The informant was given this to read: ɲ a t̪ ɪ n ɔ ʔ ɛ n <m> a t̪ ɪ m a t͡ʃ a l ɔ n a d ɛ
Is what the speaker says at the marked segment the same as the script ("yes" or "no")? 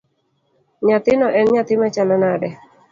no